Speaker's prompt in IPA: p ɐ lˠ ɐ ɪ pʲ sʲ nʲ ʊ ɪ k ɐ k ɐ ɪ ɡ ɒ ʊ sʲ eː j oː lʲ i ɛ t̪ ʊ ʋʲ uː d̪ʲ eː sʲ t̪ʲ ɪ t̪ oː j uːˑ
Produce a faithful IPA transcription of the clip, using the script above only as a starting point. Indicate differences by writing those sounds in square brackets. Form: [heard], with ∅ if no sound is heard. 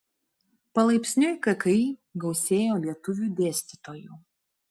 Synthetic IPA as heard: p ɐ lˠ ɐ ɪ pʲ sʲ nʲ ʊ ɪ k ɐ k ɐ ɪ ɡ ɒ ʊ sʲ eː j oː lʲ i ɛ t̪ ʊ ʋʲ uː d̪ʲ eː sʲ t̪ʲ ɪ t̪ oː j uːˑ